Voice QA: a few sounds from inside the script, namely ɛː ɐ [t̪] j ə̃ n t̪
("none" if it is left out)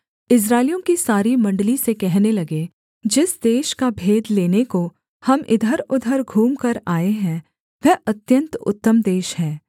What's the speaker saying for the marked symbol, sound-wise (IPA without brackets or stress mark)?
t̪